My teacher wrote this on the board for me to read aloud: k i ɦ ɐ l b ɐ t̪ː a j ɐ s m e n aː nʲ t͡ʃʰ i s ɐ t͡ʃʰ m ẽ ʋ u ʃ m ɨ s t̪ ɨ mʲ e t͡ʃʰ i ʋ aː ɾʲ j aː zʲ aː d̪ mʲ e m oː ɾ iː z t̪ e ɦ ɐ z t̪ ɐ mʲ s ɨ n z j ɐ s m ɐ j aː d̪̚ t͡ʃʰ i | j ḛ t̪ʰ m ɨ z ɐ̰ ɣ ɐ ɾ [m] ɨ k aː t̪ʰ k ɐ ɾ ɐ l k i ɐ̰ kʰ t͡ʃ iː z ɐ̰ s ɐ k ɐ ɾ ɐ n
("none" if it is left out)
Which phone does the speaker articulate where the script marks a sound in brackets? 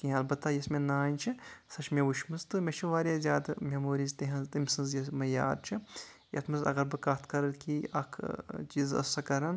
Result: b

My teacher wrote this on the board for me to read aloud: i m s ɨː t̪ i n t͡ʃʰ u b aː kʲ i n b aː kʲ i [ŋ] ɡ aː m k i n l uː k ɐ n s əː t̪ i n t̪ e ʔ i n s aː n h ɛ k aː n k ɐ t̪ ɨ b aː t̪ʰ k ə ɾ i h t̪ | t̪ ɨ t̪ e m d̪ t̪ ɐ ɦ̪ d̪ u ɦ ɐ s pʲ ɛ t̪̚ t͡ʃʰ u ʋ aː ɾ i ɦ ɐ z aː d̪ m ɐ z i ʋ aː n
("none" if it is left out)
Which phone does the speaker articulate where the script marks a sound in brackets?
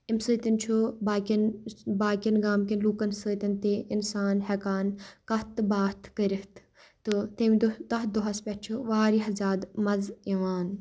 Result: n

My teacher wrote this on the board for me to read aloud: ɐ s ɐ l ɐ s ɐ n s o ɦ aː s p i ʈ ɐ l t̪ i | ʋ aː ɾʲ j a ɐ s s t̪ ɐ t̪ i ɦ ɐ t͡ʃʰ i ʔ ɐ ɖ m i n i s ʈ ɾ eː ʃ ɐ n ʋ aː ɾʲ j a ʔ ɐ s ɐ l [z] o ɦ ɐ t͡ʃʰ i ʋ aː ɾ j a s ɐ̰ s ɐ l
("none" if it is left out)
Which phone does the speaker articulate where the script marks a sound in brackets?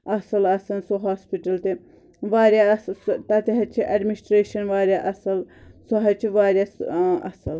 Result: s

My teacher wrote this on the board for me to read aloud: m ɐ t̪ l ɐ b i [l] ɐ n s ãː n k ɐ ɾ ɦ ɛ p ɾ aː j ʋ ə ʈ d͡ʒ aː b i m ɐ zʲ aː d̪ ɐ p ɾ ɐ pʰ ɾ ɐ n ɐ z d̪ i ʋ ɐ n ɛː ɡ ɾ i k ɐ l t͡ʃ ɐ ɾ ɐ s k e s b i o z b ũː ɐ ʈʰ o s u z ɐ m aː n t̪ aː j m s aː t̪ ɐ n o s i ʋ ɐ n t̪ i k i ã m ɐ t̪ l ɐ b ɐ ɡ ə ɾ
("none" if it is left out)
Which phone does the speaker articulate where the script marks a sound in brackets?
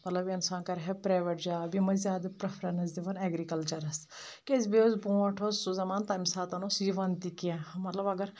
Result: none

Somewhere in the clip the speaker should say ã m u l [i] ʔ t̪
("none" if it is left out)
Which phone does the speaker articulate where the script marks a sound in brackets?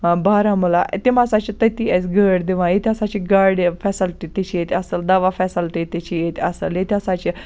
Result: a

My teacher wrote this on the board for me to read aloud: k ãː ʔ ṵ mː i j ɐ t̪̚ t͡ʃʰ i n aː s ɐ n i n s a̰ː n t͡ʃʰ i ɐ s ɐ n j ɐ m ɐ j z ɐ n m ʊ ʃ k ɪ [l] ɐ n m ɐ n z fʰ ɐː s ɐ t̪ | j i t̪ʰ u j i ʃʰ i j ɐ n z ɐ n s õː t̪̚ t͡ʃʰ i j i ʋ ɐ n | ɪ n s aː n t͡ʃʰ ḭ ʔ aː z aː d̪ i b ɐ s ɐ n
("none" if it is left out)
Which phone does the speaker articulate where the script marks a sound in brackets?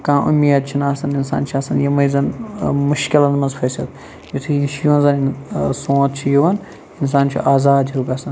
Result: l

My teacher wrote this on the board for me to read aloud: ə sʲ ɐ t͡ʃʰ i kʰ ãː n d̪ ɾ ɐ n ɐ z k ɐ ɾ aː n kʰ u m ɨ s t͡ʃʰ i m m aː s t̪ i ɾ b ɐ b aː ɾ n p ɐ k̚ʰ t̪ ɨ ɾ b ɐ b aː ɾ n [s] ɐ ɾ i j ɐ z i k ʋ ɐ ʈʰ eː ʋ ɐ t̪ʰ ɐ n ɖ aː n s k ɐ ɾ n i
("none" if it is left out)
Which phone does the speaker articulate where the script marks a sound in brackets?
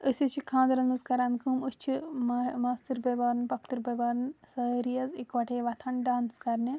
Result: s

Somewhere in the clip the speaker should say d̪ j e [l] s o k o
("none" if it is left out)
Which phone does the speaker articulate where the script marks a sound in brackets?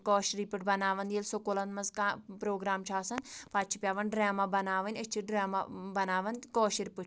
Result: l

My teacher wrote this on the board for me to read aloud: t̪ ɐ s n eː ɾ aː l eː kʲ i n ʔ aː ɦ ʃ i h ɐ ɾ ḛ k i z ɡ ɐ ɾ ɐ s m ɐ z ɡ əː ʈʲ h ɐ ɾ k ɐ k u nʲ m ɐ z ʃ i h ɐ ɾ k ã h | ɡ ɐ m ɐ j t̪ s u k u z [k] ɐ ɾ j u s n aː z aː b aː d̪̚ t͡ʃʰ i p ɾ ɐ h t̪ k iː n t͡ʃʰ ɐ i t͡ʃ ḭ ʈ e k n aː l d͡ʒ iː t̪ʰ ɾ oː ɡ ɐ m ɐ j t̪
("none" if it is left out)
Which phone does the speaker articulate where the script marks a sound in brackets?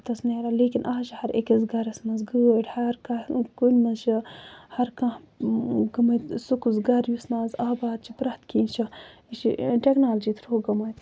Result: ɡ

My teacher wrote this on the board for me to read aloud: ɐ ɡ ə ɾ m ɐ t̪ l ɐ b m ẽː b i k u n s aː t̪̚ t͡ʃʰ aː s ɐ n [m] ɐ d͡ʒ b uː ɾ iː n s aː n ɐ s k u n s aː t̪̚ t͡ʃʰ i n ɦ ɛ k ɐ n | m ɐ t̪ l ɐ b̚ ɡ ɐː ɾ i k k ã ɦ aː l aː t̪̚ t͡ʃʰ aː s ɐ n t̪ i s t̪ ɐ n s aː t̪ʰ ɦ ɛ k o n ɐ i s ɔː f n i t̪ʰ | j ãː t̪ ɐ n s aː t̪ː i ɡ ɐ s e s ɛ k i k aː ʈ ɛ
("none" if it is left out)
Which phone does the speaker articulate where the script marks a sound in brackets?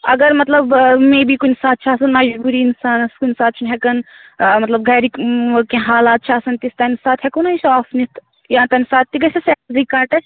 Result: m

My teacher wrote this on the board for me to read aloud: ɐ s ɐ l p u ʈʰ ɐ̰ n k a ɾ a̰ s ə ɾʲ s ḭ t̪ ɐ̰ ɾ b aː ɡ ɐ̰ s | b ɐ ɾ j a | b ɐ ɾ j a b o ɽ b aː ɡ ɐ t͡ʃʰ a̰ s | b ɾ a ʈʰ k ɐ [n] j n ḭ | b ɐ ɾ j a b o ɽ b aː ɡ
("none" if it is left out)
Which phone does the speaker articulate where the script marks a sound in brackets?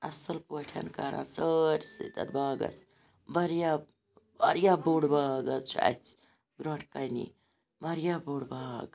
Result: none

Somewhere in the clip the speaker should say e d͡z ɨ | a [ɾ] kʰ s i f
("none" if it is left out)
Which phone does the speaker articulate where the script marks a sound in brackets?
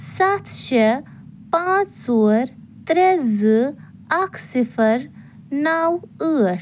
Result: none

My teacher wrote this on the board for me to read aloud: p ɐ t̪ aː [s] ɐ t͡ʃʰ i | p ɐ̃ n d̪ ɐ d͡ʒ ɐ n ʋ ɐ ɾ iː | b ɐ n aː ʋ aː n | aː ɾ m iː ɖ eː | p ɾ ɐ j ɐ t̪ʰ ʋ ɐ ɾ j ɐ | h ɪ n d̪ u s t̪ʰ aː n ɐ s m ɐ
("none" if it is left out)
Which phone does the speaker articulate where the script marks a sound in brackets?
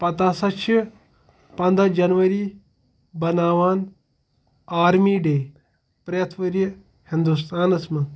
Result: s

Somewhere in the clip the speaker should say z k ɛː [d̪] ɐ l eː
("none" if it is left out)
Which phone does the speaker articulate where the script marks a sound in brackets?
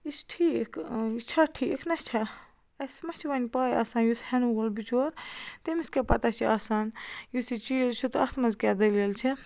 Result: d̪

